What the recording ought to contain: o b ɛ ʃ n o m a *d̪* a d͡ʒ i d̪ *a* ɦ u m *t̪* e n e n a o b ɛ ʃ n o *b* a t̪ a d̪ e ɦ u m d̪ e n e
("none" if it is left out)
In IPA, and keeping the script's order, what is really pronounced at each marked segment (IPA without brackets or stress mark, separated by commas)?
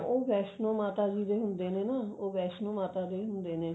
t̪, e, d̪, m